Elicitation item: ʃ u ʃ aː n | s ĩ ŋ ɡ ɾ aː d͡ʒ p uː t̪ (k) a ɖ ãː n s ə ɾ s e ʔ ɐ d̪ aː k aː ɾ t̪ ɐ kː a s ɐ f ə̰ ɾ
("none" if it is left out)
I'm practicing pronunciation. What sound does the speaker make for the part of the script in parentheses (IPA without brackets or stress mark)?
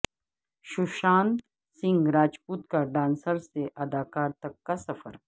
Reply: k